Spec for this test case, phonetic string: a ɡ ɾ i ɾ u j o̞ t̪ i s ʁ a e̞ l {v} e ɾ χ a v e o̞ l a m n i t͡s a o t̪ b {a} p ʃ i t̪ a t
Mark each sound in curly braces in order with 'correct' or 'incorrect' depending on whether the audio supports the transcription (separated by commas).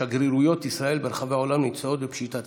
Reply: incorrect, incorrect